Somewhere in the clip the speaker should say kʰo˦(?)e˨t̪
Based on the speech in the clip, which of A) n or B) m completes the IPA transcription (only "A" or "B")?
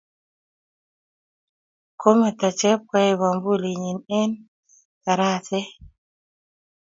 B